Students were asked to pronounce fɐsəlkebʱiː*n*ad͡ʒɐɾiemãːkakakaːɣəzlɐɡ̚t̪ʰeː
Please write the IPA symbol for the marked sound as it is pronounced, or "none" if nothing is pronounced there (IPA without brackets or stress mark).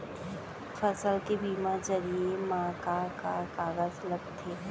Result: m